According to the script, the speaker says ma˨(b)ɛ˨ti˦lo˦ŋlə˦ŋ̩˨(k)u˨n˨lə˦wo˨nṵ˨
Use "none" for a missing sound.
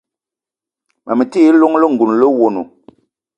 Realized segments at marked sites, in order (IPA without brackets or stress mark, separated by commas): m, ɡ